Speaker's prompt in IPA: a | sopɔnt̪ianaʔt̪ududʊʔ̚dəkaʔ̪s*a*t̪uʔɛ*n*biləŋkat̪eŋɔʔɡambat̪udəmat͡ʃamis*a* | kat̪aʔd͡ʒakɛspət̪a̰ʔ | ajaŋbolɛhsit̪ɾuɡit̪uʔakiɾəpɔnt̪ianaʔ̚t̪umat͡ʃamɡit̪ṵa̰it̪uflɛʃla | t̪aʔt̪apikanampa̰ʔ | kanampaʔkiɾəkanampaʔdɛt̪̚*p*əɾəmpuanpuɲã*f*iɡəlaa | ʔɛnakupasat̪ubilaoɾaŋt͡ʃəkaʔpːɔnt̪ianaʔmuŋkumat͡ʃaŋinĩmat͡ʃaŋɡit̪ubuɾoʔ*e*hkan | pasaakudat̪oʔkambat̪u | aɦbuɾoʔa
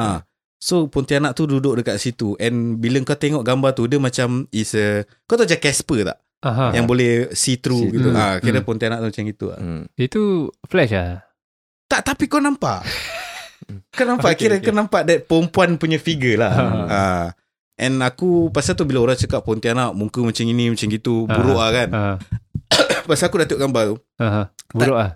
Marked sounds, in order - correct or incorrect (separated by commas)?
incorrect, correct, incorrect, correct, correct, incorrect